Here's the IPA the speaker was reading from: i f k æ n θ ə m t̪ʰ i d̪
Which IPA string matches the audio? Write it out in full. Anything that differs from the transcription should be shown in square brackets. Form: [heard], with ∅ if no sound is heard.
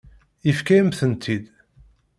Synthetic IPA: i f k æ [m] θ ə [n] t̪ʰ i d̪